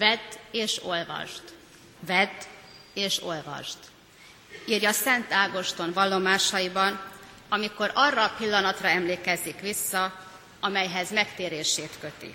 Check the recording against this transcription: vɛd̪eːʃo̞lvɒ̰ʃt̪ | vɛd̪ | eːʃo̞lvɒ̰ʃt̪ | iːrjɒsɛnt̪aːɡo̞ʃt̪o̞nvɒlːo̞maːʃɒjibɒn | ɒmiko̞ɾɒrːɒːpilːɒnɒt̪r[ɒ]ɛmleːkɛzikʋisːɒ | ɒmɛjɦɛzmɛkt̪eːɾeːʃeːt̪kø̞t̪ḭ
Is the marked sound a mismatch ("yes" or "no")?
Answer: no